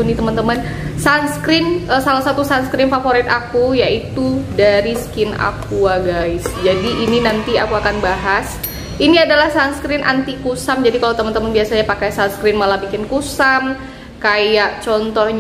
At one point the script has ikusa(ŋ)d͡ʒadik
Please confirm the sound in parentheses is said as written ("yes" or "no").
no